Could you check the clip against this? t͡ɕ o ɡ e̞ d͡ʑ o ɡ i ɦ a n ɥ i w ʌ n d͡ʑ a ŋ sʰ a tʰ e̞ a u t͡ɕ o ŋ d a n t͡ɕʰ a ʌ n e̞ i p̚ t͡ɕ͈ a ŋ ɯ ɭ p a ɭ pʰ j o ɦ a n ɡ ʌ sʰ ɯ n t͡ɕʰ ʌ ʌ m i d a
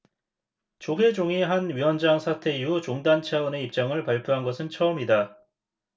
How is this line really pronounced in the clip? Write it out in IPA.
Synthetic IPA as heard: t͡ɕ o ɡ e̞ d͡ʑ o ŋ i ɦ a n ɥ i w ʌ n d͡ʑ a ŋ sʰ a tʰ e̞ i u t͡ɕ o ŋ d a n t͡ɕʰ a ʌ n e̞ i p̚ t͡ɕ͈ a ŋ ɯ ɭ p a ɭ pʰ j o ɦ a n ɡ ʌ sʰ ɯ n t͡ɕʰ ʌ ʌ m i d a

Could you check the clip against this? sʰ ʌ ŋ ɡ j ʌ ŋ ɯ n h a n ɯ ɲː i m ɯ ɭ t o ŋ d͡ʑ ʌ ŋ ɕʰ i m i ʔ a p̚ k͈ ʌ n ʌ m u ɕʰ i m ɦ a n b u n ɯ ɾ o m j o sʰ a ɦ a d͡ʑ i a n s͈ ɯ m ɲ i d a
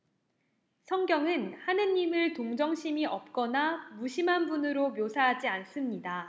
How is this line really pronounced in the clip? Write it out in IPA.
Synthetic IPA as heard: sʰ ʌ ŋ ɡ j ʌ ŋ ɯ n h a n ɯ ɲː i m ɯ ɭ t o ŋ d͡ʑ ʌ ŋ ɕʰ i m i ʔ ʌ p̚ k͈ ʌ n a m u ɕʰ i m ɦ a n b u n ɯ ɾ o m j o sʰ a ɦ a d͡ʑ i a n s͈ ɯ m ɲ i d a

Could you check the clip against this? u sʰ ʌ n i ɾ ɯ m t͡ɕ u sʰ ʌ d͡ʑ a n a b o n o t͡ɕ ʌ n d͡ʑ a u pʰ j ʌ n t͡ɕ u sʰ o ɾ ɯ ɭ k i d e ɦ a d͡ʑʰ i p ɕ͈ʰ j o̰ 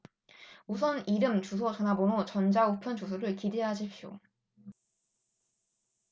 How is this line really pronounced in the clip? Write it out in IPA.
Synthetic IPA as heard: u sʰ ʌ n i ɾ ɯ m t͡ɕ u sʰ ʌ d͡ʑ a n a b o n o t͡ɕ ʌ n d͡ʑ a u pʰ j ʌ n t͡ɕ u sʰ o ɾ ɯ ɭ k i d e ɦ a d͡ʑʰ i p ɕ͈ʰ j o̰

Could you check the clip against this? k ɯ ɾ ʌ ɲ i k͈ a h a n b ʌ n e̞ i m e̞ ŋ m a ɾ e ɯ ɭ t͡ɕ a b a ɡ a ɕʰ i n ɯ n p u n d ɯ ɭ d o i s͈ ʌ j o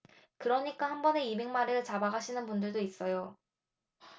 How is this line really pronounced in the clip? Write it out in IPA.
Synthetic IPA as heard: k ɯ ɾ ʌ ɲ i k͈ a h a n b ʌ n e̞ i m e̞ ŋ m a ɾ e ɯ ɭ t͡ɕ a b a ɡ a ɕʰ i n ɯ n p u n d ɯ ɭ d o i s͈ ʌ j o

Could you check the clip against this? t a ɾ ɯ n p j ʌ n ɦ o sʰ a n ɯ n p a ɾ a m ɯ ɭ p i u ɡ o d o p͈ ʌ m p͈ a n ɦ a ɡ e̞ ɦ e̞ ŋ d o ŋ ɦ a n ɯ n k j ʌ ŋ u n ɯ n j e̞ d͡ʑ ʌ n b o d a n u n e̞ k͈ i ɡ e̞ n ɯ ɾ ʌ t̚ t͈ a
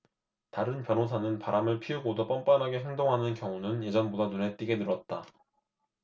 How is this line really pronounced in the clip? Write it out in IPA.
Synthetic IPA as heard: t a ɾ ɯ n p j ʌ n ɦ o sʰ a n ɯ n p a ɾ a m ɯ ɭ pʰ i u ɡ o d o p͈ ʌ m p͈ a n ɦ a ɡ e̞ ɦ e̞ ŋ d o ŋ ɦ a n ɯ n k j ʌ ŋ u n ɯ n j e̞ d͡ʑ ʌ n b o d a n u n e̞ t͈ i ɡ e̞ n ɯ ɾ ʌ t̚ t͈ a

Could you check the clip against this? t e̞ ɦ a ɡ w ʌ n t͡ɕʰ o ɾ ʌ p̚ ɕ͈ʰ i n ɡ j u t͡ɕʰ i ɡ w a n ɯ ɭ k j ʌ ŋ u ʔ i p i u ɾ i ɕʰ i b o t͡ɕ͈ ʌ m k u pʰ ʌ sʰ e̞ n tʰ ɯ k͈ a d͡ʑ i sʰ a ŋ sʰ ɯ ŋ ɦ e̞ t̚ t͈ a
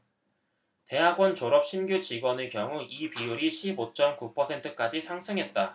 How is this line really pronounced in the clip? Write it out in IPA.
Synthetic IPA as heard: t e̞ ɦ a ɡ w ʌ n t͡ɕ o ɾ ʌ p̚ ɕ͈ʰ i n ɡ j u t͡ɕ i ɡ w ʌ n ɯ ɭ k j ʌ ŋ u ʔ i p i u ɾ i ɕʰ i b o t͡ɕ͈ ʌ m k u pʰ ʌ sʰ e̞ n tʰ ɯ k͈ a d͡ʑ i sʰ a ŋ sʰ ɯ ŋ ɦ e̞ t̚ t͈ a

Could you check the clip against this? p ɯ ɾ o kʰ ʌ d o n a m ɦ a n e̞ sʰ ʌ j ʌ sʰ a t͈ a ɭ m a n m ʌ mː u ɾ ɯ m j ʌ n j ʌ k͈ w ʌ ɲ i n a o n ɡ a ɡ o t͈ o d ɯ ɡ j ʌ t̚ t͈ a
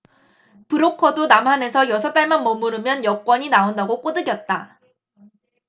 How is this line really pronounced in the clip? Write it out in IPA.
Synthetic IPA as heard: p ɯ ɾ o kʰ ʌ d o n a m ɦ a n e̞ sʰ ʌ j ʌ sʰ ʌ t͈ a ɭ m a n m ʌ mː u ɾ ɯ m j ʌ n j ʌ k͈ w ʌ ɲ i n a o n d a ɡ o k͈ o d ɯ ɡ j ʌ t̚ t͈ a

